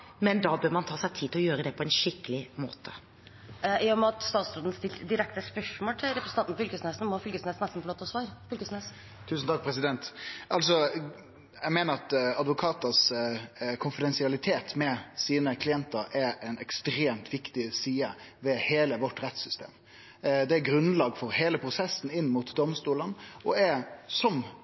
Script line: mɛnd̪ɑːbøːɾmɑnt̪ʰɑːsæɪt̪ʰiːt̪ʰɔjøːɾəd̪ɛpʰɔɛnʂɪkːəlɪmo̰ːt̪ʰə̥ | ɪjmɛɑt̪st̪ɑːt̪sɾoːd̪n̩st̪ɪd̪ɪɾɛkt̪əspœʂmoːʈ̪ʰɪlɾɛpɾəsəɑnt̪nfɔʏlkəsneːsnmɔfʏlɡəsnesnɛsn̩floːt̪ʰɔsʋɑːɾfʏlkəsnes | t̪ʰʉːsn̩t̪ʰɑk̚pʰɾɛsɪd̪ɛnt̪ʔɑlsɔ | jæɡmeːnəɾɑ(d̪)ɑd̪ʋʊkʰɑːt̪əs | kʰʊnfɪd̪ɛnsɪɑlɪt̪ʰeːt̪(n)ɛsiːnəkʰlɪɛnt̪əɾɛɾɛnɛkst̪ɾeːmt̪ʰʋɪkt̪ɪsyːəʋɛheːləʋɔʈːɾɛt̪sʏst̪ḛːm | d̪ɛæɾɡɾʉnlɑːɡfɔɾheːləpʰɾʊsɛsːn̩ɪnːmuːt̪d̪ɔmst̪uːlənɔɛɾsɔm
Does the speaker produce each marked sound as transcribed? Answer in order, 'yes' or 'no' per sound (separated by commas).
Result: no, no